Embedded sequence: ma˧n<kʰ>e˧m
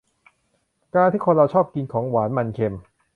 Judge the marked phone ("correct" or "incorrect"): correct